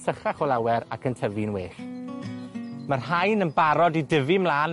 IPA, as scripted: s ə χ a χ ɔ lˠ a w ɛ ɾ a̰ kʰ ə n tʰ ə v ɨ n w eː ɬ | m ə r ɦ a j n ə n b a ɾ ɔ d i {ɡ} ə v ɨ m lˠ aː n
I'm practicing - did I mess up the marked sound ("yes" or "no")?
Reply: yes